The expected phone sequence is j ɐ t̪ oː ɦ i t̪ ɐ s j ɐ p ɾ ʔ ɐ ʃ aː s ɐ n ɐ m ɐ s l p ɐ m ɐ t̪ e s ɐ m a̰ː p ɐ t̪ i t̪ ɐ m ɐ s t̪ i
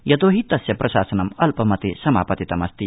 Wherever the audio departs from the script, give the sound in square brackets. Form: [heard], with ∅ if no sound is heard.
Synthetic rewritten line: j ɐ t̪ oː ɦ i t̪ ɐ s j ɐ p ɾ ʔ ɐ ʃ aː s ɐ n ɐ m ɐ [∅] l p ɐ m ɐ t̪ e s ɐ m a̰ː p ɐ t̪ i t̪ ɐ m ɐ s t̪ i